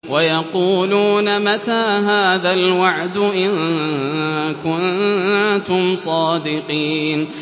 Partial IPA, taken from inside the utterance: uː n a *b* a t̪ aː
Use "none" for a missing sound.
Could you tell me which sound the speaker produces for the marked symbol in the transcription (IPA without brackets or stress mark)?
m